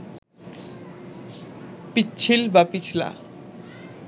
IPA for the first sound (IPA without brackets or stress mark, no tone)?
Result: p